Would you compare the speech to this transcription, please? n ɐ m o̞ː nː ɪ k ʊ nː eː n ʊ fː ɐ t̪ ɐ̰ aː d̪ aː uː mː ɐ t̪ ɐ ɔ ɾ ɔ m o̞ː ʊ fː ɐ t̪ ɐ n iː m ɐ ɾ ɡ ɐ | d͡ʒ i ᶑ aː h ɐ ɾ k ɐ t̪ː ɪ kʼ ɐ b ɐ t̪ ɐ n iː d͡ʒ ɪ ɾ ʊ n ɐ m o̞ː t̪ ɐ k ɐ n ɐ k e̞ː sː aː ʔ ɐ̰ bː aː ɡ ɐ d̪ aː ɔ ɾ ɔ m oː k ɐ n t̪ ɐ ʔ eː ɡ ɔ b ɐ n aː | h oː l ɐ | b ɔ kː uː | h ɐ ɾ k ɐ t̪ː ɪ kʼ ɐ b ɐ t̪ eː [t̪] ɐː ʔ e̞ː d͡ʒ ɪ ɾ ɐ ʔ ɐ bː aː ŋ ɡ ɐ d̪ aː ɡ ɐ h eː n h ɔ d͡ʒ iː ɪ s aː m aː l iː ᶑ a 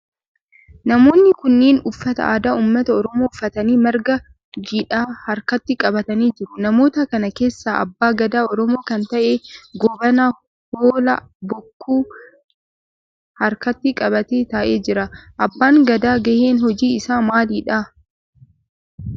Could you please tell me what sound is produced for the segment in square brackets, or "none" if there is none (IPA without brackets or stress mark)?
t̪